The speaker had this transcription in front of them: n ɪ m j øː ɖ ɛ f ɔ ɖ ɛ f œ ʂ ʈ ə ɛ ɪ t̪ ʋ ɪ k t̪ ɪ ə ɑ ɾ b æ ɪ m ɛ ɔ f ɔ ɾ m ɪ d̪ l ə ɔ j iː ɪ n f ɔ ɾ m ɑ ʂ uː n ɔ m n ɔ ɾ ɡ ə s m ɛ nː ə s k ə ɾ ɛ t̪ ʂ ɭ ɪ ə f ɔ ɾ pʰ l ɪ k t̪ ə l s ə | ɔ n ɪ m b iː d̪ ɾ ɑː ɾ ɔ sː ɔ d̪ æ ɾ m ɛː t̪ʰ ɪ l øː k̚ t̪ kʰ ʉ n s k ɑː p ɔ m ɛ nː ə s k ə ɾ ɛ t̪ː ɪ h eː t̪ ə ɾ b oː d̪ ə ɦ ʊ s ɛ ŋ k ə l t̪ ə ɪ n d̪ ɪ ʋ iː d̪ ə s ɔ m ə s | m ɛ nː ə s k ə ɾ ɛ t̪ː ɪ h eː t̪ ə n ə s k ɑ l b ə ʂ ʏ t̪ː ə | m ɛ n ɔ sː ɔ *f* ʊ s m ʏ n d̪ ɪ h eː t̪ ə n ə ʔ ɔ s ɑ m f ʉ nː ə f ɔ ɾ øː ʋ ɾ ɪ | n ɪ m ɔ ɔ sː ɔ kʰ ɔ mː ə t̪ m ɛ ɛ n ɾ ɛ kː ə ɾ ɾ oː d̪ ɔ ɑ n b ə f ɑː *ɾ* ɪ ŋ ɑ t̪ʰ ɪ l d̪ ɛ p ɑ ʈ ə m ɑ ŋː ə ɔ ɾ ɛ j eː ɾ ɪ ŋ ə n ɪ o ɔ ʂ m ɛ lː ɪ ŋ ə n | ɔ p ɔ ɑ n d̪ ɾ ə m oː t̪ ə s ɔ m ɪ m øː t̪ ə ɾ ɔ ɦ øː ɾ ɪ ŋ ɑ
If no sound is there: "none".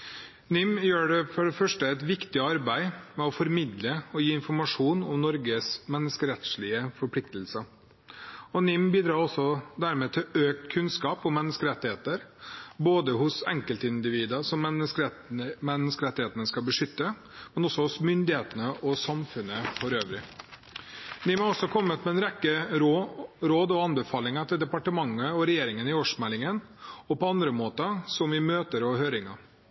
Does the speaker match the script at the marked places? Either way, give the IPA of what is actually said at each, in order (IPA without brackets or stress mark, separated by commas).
h, l